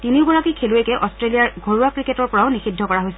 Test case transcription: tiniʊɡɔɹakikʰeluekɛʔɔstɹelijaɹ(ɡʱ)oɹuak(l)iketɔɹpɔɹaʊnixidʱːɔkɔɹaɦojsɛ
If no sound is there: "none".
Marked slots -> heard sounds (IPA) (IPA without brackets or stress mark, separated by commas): ɡʱ, ɹ